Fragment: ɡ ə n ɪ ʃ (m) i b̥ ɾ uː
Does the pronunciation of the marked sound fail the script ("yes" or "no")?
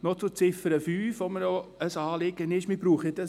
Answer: no